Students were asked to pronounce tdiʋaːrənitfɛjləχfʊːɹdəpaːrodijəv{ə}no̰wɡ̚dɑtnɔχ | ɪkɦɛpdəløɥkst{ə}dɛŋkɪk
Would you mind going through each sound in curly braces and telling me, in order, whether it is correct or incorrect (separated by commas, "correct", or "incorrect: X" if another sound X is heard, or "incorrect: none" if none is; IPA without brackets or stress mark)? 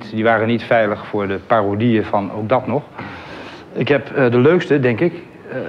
incorrect: ɑ, correct